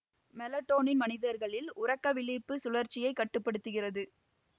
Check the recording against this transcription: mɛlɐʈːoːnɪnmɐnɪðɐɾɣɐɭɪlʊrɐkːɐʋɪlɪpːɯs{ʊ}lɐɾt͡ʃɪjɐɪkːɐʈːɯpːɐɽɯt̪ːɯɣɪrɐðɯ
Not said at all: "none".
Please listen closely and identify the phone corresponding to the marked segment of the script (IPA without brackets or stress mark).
ʊ